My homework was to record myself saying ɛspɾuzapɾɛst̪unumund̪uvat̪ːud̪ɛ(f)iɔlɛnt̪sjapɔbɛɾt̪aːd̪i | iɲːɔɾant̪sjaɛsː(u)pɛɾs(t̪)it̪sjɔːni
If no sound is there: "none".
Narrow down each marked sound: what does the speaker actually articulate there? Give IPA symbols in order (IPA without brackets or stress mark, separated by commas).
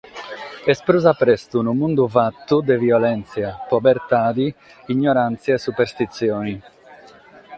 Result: v, u, t̪